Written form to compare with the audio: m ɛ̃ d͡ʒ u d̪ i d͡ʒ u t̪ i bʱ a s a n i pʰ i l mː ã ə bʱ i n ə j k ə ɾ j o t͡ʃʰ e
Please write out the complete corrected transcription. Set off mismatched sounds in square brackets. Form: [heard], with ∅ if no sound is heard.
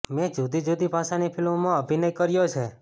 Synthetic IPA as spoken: m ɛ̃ d͡ʒ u d̪ i d͡ʒ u [d̪] i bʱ a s a n i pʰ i l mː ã ə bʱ i n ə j k ə ɾ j o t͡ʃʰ e